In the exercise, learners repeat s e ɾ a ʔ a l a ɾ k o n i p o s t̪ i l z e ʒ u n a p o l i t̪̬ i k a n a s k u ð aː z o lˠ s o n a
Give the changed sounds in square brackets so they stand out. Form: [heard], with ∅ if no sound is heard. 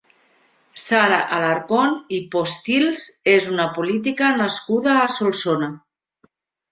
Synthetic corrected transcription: s [a] ɾ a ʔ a l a ɾ k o n i p o s t̪ i l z e [z] u n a p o l i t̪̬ i k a n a s k u ð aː [s] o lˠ s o n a